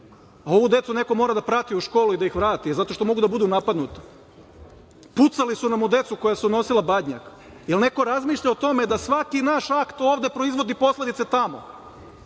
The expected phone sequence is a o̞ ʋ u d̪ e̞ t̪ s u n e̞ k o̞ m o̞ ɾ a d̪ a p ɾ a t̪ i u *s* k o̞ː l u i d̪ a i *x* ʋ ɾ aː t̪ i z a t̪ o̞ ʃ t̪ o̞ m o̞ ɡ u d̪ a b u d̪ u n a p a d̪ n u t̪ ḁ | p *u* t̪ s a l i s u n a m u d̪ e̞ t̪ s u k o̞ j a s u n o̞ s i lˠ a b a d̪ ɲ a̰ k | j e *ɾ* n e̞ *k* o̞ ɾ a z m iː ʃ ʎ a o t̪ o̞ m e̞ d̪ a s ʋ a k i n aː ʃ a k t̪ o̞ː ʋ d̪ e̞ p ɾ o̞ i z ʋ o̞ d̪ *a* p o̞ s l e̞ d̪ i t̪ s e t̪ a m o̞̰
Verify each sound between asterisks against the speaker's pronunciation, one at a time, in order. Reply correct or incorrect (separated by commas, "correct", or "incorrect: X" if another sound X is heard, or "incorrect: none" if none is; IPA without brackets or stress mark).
incorrect: ʃ, correct, correct, incorrect: l, correct, incorrect: i